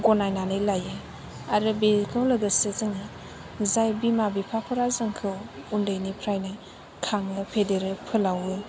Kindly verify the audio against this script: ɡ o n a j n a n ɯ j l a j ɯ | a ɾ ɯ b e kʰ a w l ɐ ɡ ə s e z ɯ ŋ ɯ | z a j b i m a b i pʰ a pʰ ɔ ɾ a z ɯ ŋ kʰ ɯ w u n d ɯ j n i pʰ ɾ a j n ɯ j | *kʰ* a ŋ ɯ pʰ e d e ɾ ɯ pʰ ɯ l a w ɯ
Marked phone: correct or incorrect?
correct